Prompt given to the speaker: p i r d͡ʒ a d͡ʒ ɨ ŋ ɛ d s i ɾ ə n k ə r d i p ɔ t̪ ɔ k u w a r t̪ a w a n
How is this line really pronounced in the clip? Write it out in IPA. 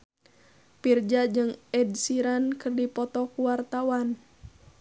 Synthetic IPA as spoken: p i r d͡ʒ a d͡ʒ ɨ ŋ ɛ d s i ɾ a n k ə r d i p ɔ t̪ ɔ k u w a r t̪ a w a n